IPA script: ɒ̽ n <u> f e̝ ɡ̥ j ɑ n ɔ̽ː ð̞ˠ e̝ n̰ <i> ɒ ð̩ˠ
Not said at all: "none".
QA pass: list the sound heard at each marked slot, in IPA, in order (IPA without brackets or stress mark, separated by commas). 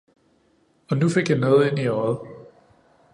u, i